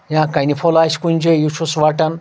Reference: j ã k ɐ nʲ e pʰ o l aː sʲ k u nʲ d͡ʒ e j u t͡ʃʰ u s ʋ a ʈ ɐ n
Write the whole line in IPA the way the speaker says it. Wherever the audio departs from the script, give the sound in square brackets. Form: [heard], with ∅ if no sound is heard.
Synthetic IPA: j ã k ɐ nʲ [i] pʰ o l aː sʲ k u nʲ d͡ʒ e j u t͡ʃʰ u s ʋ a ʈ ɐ n